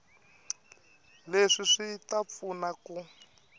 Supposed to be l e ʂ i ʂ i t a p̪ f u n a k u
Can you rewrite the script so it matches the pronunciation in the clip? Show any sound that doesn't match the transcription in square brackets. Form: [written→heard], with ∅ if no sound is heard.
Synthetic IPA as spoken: l e ʂ i ʂ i t a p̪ f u n a k u